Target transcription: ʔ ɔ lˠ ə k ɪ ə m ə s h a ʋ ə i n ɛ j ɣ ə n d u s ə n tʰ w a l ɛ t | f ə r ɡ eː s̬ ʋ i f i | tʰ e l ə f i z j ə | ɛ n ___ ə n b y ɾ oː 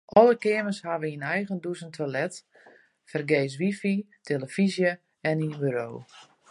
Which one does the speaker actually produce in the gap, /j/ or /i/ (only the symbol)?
i